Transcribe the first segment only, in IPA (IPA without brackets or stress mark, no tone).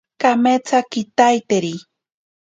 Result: k